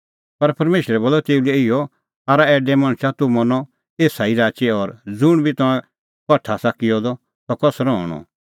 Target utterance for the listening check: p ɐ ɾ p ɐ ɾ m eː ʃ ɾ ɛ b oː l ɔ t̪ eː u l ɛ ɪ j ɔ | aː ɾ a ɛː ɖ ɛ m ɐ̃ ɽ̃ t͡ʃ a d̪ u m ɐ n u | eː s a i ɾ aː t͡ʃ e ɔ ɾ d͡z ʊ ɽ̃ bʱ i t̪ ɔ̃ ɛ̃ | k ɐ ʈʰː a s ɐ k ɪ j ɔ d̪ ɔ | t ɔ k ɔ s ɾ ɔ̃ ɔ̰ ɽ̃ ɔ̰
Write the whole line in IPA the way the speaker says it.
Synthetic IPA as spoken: p ɐ ɾ p ɐ ɾ m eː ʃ ɾ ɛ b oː l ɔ t̪ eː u l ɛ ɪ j ɔ | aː ɾ a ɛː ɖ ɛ m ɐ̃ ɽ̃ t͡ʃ a t̪ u m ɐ n ɔ | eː s a i ɾ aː t͡ʃ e ɔ ɾ d͡z ʊ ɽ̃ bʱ i t̪ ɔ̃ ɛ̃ | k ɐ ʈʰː a s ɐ k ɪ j ɔ d̪ ɔ | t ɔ k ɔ s ɾ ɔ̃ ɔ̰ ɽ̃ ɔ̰